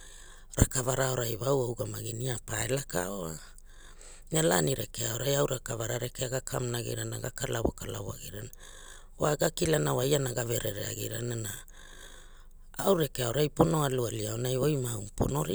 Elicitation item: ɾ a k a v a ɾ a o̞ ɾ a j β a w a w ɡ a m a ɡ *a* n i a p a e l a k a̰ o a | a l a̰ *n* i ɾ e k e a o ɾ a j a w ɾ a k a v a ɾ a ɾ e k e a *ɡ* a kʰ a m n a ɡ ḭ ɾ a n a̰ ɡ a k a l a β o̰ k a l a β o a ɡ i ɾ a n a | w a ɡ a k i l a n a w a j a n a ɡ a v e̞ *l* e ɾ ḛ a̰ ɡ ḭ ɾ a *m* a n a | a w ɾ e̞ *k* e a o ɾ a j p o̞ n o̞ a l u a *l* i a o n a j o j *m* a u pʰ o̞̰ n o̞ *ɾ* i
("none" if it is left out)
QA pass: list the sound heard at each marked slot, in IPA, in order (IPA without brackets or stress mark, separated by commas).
i, n, ɡ, ɾ, n, k, l, m, ɾ